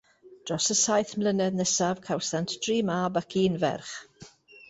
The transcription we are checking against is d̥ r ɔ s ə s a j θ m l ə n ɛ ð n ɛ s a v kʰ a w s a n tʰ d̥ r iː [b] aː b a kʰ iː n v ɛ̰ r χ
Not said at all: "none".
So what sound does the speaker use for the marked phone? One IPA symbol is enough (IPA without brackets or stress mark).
m